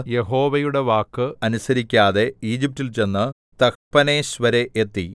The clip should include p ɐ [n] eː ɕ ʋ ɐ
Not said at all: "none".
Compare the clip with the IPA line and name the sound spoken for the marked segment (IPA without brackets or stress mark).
n